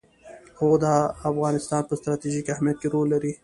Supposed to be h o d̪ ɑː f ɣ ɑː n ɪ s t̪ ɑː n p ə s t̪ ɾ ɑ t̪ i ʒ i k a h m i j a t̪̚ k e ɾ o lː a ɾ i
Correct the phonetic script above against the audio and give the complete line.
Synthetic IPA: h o d̪ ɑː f ɣ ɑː n ɪ s t̪ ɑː n p ə s t̪ ɾ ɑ t̪ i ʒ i k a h m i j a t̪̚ k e ɾ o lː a ɾ i